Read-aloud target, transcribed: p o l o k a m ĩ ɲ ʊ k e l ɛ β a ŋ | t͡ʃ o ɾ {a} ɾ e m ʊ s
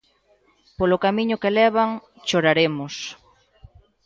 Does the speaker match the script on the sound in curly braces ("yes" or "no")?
yes